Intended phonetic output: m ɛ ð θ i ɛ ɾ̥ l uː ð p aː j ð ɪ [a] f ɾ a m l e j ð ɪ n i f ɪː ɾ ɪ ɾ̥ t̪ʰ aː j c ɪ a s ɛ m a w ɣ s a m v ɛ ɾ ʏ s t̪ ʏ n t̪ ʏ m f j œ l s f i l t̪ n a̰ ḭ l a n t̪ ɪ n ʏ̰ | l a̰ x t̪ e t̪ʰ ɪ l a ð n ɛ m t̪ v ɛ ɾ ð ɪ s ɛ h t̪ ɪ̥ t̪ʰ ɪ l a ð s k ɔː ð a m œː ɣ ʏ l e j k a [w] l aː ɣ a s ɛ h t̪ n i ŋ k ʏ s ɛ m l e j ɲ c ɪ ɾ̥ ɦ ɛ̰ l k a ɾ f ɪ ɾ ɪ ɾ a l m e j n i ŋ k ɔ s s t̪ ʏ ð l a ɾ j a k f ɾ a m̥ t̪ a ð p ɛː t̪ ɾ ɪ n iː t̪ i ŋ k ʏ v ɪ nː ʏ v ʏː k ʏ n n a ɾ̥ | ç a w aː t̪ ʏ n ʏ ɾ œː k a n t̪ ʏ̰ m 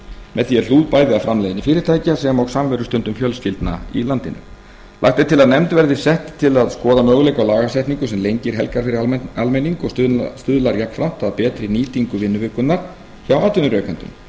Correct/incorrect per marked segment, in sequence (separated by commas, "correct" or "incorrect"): correct, correct